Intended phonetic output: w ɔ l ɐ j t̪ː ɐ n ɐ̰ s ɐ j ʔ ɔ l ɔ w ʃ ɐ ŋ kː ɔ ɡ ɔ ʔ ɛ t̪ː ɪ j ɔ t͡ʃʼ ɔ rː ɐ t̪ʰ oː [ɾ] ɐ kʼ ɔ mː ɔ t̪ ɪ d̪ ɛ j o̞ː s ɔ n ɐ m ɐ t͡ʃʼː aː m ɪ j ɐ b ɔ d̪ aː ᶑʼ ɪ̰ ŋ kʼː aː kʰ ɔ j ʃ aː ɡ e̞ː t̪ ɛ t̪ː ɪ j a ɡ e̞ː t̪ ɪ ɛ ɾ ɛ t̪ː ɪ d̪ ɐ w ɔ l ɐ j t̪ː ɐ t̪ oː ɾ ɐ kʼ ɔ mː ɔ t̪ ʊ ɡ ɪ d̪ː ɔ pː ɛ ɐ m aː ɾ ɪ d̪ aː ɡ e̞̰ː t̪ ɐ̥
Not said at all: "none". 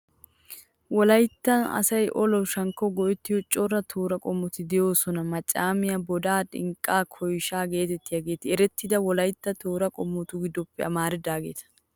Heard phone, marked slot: ɾ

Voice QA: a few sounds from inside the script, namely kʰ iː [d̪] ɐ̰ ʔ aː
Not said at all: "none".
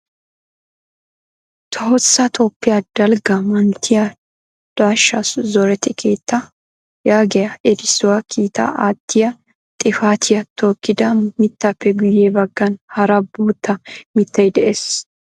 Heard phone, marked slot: t̪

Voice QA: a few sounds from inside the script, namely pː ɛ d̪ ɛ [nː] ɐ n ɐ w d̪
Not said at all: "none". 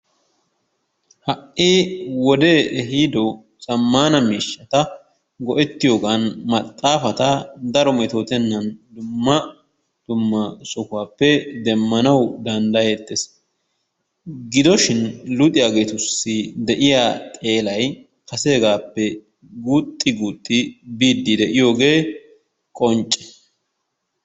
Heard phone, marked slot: mː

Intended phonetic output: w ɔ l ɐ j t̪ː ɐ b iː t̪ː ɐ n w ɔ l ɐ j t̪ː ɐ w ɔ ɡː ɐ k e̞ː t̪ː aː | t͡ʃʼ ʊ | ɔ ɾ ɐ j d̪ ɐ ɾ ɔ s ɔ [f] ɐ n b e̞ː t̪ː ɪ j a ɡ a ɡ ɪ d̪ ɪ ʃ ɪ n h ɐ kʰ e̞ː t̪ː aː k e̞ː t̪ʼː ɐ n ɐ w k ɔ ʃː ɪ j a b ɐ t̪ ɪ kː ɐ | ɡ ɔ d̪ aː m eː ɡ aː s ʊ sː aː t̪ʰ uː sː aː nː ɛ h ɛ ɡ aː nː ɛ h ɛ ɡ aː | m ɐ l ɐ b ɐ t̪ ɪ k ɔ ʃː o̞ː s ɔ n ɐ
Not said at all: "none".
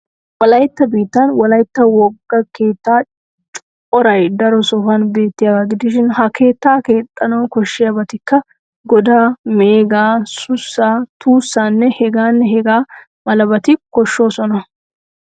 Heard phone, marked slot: f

